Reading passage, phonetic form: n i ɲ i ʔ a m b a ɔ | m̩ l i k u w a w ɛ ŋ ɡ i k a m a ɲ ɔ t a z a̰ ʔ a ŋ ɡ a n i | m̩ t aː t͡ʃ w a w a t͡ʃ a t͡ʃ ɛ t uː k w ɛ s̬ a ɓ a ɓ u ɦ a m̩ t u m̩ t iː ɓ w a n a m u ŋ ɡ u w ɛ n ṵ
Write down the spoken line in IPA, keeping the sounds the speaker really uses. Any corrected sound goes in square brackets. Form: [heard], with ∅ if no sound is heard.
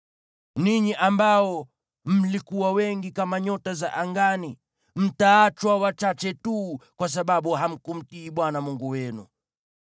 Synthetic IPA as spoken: n i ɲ i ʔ a m b a ɔ | m̩ l i k u w a w ɛ ŋ ɡ i k a m a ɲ ɔ t a z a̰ ʔ a ŋ ɡ a n i | m̩ t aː t͡ʃ w a w a t͡ʃ a t͡ʃ ɛ t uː k w [a] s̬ a ɓ a ɓ u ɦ a m̩ [k] u m̩ t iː ɓ w a n a m u ŋ ɡ u w ɛ n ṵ